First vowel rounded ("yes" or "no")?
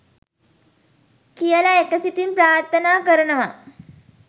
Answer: no